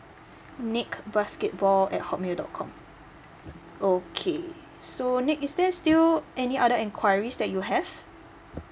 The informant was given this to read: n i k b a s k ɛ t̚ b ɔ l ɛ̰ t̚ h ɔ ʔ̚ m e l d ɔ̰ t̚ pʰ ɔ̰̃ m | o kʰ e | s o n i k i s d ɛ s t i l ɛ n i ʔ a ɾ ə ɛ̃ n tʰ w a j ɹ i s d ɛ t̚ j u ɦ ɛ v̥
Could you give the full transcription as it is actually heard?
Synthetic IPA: n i k b a s k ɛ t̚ b ɔ l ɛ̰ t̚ h ɔ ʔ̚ m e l d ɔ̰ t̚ kʰ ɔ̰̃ m | o kʰ e | s o n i k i s d ɛ s t i l ɛ n i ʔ a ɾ ə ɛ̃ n kʰ w a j ɹ i s d ɛ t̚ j u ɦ ɛ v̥